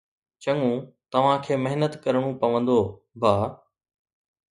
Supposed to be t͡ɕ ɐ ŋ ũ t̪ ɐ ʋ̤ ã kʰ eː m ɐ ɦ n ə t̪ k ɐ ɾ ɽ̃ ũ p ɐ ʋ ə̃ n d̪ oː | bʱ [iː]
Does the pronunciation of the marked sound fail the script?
yes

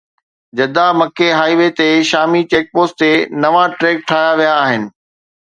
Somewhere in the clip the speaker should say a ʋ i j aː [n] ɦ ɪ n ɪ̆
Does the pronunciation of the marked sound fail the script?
yes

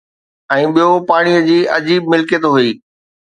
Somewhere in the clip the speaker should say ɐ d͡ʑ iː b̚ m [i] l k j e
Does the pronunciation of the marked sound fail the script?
yes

